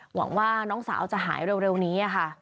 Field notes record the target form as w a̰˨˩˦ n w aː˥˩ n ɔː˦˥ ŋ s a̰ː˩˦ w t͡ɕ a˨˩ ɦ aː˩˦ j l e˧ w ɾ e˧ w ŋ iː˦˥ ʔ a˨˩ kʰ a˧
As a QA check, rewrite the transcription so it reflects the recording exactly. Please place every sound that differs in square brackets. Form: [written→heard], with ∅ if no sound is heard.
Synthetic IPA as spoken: w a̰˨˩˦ [n→ŋ] w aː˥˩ n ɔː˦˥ ŋ s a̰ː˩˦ w t͡ɕ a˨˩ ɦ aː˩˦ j [l→ɾ] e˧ w ɾ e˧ w [ŋ→n] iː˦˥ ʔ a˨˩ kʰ [a˧→a˥˩]